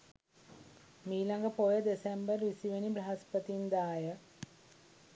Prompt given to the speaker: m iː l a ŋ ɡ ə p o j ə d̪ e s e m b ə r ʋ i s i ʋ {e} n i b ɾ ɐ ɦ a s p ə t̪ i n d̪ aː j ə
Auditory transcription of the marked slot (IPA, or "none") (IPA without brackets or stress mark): e